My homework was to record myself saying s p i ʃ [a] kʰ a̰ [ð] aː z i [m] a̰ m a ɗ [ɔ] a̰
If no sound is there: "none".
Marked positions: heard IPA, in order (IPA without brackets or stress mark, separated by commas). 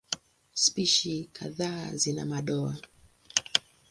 i, ð, n, ɔ